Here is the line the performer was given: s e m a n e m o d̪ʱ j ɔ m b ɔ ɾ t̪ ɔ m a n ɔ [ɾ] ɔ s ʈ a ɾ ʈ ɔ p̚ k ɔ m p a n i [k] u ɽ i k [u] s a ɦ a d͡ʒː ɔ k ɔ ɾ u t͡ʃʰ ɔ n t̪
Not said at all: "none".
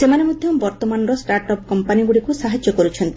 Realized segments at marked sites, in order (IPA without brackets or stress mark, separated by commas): ɾ, ɡ, u